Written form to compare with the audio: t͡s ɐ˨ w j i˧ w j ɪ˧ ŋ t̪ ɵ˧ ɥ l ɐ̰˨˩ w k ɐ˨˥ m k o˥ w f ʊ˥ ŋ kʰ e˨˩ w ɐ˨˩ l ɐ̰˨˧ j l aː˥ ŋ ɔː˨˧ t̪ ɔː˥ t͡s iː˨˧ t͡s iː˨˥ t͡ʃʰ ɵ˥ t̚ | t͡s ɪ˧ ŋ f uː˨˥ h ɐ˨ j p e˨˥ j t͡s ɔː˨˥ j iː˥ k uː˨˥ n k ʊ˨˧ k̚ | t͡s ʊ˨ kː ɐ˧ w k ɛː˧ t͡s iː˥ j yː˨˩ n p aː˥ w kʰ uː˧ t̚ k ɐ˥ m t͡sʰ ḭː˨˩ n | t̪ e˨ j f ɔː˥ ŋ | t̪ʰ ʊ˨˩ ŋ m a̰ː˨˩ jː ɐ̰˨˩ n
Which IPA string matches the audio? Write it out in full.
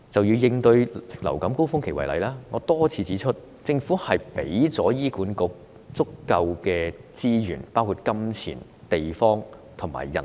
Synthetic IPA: t͡s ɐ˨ w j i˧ w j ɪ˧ ŋ t̪ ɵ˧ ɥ l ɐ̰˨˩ w k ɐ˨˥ m k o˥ w f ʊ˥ ŋ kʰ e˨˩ w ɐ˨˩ l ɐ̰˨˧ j l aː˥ ŋ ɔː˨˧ t̪ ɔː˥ t͡sʰ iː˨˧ t͡s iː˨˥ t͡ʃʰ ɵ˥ t̚ | t͡s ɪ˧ ŋ f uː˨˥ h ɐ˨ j p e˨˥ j t͡s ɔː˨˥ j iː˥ k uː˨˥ n k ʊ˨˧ k̚ | t͡s ʊ˥ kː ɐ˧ w k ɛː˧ t͡s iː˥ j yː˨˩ n p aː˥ w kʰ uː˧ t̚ k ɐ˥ m t͡sʰ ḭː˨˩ n | t̪ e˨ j f ɔː˥ ŋ | t̪ʰ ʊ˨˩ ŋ m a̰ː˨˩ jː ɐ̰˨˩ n

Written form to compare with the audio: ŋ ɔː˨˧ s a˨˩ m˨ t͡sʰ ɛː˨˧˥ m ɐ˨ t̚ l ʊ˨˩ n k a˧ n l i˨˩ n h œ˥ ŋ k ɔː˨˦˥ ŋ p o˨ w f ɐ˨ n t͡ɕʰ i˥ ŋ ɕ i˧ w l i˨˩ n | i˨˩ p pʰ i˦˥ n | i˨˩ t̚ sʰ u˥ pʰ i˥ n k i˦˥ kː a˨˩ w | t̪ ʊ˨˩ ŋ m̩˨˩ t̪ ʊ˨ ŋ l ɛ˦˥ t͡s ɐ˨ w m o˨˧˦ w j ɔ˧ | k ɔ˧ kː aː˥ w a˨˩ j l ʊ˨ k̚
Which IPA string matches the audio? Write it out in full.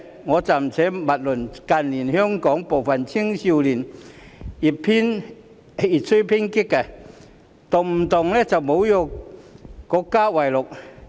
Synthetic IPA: ŋ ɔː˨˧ t͡s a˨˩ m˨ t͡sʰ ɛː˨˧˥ m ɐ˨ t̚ l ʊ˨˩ n k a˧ n l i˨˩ n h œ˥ ŋ k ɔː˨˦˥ ŋ p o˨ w f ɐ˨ n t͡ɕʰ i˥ ŋ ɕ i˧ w l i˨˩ n | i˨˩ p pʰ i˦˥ n | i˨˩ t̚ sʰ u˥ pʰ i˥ n k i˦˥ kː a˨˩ | t̪ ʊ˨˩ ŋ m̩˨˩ t̪ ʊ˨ ŋ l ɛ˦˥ t͡s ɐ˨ w m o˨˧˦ w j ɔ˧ | k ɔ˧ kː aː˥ w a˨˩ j l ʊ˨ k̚

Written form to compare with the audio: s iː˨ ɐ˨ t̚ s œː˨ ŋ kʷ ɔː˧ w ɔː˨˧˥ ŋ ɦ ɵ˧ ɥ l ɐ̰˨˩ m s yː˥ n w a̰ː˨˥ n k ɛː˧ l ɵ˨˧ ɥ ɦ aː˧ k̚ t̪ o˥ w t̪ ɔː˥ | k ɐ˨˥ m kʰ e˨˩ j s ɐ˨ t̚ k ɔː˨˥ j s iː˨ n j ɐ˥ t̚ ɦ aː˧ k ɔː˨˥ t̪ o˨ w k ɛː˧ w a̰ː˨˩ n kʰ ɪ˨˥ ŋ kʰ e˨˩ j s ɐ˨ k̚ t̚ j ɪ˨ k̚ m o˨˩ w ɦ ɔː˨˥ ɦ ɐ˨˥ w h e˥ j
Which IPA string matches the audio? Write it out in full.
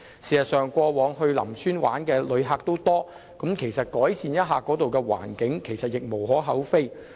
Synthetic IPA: s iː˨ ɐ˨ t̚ s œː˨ ŋ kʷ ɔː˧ w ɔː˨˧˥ ŋ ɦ ɵ˧ ɥ l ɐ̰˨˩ m s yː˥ n w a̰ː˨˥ n k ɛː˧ l ɵ˨˧ ɥ ɦ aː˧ k̚ t̪ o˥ w t̪ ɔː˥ | k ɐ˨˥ m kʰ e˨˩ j s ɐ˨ t̚ k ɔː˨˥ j s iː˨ n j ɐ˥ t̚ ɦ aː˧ k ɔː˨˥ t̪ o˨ w k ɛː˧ w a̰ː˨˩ n k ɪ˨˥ ŋ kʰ e˨˩ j s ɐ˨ t̚ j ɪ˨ k̚ m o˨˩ w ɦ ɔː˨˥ ɦ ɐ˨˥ w f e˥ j

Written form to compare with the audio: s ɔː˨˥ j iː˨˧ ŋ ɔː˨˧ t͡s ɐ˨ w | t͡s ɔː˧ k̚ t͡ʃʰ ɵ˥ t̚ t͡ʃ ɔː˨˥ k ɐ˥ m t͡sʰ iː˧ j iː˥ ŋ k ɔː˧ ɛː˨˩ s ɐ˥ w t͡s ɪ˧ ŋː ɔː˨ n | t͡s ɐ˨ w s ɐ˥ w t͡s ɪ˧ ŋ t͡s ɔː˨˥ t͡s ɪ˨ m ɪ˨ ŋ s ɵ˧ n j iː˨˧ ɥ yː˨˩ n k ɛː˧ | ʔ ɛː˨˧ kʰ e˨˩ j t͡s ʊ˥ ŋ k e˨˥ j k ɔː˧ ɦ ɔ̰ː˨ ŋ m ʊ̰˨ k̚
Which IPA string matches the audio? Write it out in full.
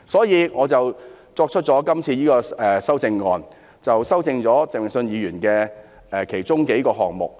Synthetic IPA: s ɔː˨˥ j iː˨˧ ŋ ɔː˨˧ t͡s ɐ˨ w | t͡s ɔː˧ k̚ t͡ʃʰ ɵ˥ t̚ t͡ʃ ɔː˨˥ k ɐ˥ m t͡sʰ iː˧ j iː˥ k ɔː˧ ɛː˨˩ s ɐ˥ w t͡s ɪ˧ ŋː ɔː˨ n | t͡s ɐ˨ w s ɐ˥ w t͡s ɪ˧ ŋ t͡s ɔː˨˥ t͡s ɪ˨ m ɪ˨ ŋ s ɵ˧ n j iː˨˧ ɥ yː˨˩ n k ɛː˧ | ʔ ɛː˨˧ kʰ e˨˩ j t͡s ʊ˥ ŋ k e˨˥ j k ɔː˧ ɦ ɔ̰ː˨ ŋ m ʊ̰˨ k̚

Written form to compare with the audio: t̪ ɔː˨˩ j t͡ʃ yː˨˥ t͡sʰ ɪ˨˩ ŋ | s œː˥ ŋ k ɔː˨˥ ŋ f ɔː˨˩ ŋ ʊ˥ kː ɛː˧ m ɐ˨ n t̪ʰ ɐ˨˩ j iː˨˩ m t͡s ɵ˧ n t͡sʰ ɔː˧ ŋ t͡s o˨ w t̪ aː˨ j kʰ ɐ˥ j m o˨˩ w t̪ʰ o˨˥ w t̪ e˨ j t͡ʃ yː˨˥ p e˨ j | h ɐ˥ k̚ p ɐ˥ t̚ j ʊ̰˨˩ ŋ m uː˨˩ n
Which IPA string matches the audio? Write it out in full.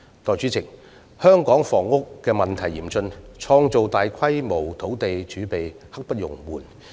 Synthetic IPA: t̪ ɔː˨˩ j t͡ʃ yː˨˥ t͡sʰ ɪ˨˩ ŋ | h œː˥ ŋ k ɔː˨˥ ŋ f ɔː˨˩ ŋ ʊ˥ kː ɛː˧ m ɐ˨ n t̪ʰ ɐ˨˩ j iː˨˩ m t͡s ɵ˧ n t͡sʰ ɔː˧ ŋ t͡s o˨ w t̪ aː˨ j kʰ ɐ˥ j m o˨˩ w t̪ʰ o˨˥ w t̪ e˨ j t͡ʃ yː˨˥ p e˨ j | h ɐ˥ k̚ p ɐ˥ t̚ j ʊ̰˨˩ ŋ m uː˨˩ n

